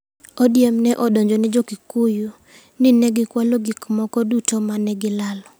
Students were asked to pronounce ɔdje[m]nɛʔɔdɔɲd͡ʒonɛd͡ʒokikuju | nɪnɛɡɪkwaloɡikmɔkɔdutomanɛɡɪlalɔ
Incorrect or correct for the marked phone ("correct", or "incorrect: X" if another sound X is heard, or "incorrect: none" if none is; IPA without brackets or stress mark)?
correct